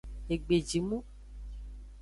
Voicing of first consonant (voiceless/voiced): voiced